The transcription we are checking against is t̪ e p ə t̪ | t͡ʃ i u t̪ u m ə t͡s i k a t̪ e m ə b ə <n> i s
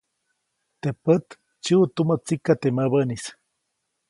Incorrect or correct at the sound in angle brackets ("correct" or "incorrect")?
correct